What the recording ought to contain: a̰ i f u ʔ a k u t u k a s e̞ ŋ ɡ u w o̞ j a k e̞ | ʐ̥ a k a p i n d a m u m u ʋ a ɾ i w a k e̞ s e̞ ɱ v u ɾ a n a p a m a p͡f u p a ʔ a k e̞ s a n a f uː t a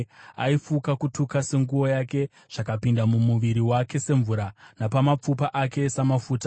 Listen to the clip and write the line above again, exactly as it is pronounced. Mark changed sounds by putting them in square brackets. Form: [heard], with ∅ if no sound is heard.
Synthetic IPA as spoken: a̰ i f u [k] a k u t u k a s e̞ ŋ ɡ u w o̞ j a k e̞ | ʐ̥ a k a p i n d a m u m u ʋ [i] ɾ i w a k e̞ s e̞ ɱ v u ɾ a n a p a m a p͡f u p a ʔ a k e̞ s a [m] a f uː t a